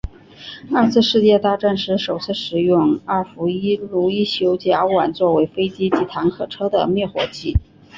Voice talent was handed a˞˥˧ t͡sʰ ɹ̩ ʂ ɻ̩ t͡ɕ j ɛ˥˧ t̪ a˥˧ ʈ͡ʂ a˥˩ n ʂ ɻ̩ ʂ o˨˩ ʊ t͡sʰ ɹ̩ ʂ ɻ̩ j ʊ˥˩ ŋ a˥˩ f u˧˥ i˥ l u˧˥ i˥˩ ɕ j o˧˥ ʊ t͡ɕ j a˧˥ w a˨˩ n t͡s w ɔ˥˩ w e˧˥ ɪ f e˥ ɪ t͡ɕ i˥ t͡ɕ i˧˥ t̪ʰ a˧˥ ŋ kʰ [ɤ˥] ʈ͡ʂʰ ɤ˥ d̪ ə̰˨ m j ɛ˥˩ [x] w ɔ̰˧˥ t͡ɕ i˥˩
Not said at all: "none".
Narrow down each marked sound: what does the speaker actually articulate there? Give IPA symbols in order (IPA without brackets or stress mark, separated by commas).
ɤ˨˩, x